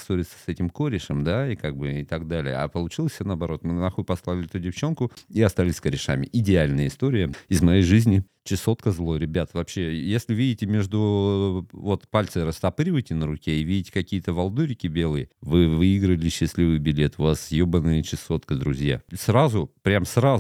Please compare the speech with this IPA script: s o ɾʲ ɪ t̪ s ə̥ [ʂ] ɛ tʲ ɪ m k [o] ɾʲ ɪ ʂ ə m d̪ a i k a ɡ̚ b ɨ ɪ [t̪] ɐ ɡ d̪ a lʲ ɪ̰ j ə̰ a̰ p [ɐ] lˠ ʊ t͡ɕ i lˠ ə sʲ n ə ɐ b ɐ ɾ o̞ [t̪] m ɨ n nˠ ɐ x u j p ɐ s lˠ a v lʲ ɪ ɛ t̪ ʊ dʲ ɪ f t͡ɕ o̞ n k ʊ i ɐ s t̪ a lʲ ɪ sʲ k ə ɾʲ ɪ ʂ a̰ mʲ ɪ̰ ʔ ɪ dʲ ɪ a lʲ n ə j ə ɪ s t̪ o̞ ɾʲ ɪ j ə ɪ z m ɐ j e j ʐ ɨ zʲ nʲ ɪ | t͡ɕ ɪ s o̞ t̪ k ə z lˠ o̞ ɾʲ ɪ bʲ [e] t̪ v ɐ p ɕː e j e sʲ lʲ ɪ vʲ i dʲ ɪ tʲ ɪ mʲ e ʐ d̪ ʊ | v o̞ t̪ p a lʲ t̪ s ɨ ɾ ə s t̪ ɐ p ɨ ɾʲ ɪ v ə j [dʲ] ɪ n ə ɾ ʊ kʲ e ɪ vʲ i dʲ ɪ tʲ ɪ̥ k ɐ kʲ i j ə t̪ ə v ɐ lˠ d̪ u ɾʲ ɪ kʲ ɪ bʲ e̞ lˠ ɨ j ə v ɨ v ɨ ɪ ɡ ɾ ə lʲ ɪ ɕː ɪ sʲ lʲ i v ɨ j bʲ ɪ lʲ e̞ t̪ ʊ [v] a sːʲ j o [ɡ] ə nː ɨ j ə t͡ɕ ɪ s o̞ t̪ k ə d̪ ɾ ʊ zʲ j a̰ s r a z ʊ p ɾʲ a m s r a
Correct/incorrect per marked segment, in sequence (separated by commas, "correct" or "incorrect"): incorrect, correct, correct, incorrect, correct, incorrect, incorrect, correct, incorrect